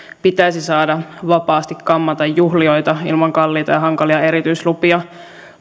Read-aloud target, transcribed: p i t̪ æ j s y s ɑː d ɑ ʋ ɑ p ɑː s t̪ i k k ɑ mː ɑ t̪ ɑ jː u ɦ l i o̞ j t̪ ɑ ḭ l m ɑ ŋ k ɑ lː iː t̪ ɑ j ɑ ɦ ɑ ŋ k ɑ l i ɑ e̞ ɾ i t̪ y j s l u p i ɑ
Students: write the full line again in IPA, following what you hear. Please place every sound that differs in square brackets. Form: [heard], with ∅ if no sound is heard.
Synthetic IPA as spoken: p i t̪ æ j s [i] s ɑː d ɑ ʋ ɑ p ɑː s t̪ i k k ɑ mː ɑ t̪ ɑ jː u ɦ l i o̞ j t̪ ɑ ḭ l m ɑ ŋ k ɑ lː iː t̪ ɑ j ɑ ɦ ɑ ŋ k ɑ l i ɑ e̞ ɾ i t̪ y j s l u p i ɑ

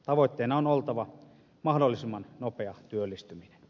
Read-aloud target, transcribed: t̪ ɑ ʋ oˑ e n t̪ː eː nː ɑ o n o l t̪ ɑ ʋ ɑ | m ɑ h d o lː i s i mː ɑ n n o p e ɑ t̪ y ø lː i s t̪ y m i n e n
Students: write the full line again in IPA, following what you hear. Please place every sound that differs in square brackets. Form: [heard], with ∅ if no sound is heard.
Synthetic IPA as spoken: t̪ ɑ ʋ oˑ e [∅] t̪ː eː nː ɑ o n o l t̪ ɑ ʋ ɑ | m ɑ h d o lː i s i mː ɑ n n o p e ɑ t̪ y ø lː i s t̪ y m i n e n

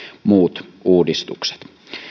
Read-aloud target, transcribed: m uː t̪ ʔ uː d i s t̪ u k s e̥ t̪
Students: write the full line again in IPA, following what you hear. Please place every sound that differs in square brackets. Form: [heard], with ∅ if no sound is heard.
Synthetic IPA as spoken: m uː t̪ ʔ uː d i s t̪ u k s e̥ t̪

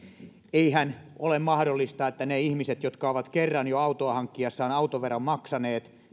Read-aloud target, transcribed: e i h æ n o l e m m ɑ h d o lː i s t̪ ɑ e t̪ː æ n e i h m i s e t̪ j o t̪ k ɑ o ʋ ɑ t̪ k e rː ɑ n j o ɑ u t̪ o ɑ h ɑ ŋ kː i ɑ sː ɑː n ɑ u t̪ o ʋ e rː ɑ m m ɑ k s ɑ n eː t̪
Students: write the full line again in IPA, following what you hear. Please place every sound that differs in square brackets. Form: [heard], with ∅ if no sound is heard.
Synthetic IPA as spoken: e i h æ n o l e m m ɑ h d o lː i s t̪ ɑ e t̪ː æ n e i h m i s e t̪ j o t̪ k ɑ o ʋ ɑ t̪ k e rː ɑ n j o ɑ u t̪ o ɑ h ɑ ŋ kː i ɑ sː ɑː n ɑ u t̪ o ʋ e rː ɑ m m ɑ k s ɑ n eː t̪

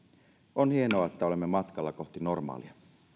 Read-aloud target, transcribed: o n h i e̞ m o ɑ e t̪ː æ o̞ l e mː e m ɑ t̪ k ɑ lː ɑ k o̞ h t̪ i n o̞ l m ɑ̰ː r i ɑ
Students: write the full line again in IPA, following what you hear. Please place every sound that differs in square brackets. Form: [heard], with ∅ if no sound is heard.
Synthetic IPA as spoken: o n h i e̞ [n] o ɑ e t̪ː æ o̞ l e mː e m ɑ t̪ k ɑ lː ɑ k o̞ h t̪ i n o̞ [r] m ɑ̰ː [l] i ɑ

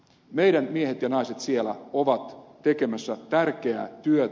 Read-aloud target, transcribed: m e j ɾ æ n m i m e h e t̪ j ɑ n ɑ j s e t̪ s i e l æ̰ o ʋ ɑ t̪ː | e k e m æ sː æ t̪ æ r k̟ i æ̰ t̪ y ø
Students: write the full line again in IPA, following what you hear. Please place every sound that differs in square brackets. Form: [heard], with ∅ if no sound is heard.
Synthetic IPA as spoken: m e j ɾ æ n m i [∅] e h e t̪ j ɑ n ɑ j s e t̪ s i e l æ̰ o ʋ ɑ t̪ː | e k e m æ sː æ t̪ æ r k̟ [e] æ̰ t̪ y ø

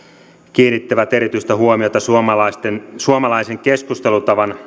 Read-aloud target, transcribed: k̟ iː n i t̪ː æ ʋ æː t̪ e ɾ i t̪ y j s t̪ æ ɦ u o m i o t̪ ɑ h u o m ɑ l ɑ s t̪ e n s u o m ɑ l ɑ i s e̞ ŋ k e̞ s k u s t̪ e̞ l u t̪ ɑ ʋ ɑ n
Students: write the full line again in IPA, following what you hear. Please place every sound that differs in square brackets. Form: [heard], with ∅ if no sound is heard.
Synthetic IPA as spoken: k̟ iː n i t̪ː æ ʋ [æ] t̪ e ɾ i t̪ y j s t̪ æ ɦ u o m i o t̪ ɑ [s] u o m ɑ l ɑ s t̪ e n s u o m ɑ l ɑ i s e̞ ŋ k e̞ s k u s t̪ e̞ l u t̪ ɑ ʋ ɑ n

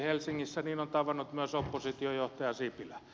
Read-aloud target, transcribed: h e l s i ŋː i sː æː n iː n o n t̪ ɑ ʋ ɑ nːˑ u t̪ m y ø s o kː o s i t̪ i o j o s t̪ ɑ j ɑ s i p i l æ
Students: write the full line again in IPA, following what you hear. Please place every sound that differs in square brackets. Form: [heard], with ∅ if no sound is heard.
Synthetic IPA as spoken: h e l s i ŋː i sː [æ] n iː n o n t̪ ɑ ʋ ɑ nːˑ u t̪ m y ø s o [pː] o s i t̪ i o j o [h] t̪ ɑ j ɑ s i p i l æ

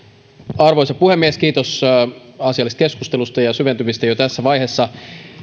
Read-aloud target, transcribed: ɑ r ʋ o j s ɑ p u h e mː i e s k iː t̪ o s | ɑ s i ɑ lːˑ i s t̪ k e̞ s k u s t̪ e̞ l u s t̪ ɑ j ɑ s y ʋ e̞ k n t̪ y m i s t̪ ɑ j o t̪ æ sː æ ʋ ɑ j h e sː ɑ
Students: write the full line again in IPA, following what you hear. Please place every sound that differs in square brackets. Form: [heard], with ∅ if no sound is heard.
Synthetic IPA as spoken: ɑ r ʋ o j s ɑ p u h e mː i e s k iː t̪ o s | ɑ s i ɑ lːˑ i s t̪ k e̞ s k u s t̪ e̞ l u s t̪ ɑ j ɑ s y ʋ e̞ [∅] n t̪ y m i s t̪ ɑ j o t̪ æ sː æ ʋ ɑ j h e sː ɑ

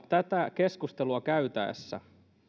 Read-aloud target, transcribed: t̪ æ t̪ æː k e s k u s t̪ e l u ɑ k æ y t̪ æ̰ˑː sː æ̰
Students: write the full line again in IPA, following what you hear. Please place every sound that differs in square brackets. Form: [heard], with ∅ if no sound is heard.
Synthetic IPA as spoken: t̪ æ t̪ [æ] k e s k u s t̪ e l u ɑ k æ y t̪ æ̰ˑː sː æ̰

